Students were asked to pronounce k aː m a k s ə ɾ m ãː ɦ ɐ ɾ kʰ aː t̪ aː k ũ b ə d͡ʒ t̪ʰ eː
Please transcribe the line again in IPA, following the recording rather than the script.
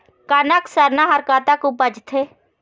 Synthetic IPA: k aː n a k s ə ɾ n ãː ɦ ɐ ɾ k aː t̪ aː k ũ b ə d͡ʒ t̪ʰ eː